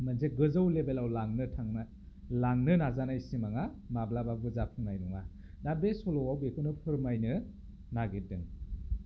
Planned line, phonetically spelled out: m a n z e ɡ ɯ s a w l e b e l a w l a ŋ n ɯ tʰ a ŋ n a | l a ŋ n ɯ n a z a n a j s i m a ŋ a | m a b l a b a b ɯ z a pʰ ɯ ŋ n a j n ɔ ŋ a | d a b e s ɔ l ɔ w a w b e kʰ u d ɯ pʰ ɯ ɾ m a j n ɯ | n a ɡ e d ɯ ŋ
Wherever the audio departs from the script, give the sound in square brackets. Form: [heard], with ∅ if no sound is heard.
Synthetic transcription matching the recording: m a n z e ɡ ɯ [z] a w l e b e l a w l a ŋ n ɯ tʰ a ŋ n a | l a ŋ n ɯ n a z a n a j s i m a ŋ a | m a b l a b a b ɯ z a pʰ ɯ ŋ n a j n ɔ ŋ a | d a b e s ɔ l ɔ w a w b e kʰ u [n] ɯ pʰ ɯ ɾ m a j n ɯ | n a ɡ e d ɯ ŋ